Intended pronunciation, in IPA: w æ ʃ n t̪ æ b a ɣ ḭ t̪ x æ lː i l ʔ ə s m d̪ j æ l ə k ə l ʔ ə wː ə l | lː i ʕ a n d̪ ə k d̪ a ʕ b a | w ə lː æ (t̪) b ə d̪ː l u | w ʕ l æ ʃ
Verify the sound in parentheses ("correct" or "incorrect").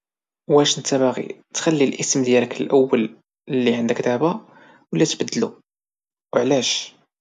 correct